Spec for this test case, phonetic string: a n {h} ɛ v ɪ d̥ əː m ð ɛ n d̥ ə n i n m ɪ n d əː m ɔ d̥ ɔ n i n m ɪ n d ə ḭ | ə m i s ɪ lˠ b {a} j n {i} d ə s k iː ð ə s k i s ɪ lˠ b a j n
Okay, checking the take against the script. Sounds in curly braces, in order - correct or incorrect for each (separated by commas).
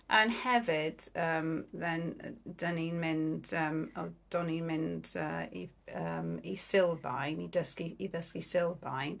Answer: correct, correct, correct